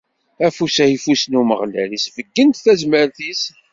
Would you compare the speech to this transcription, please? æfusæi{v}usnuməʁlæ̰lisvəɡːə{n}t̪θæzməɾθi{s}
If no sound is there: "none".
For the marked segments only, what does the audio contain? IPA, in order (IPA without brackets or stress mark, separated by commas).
f, n, s